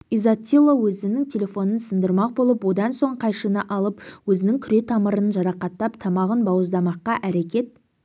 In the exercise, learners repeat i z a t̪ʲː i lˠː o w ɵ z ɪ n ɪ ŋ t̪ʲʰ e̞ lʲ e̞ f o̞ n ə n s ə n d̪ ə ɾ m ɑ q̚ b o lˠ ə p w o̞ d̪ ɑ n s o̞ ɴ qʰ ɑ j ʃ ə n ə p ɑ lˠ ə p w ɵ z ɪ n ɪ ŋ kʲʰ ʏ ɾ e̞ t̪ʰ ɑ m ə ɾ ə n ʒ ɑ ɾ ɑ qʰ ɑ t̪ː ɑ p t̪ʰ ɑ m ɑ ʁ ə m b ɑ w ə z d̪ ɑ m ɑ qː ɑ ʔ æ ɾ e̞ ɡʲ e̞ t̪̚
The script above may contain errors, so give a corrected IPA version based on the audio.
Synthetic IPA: i z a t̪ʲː i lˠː o w ɵ z ɪ n ɪ ŋ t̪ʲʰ e̞ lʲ e̞ f o̞ n ə n s ə n d̪ ə ɾ m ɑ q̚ b o lˠ ə p w o̞ d̪ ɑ n s o̞ ɴ qʰ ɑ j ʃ ə n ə ʔ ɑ lˠ ə p w ɵ z ɪ n ɪ ŋ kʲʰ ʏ ɾ e̞ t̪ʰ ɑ m ə ɾ ə n ʒ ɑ ɾ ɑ q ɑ t̪ː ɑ p t̪ʰ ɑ m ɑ ʁ ə n b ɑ w ə z d̪ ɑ m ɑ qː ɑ ʔ æ ɾ e̞ kʲ e̞ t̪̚